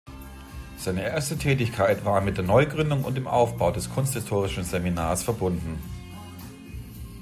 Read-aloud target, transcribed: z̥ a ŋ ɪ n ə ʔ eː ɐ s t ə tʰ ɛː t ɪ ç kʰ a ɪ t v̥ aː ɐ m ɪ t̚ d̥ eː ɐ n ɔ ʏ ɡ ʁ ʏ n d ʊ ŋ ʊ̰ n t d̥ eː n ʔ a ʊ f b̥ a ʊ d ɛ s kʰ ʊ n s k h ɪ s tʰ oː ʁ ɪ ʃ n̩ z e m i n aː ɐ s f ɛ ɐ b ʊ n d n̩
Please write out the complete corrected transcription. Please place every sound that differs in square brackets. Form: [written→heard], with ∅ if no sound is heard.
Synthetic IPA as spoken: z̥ a [ŋ→∅] ɪ n ə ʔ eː ɐ s t ə tʰ ɛː t ɪ ç kʰ a ɪ t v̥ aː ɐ m ɪ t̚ d̥ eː ɐ n ɔ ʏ ɡ ʁ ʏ n d ʊ ŋ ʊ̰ n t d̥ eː [n→m] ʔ a ʊ f b̥ a ʊ d ɛ s kʰ ʊ n s [k→t] h ɪ s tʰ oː ʁ ɪ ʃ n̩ z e m i n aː ɐ s f ɛ ɐ b ʊ n d n̩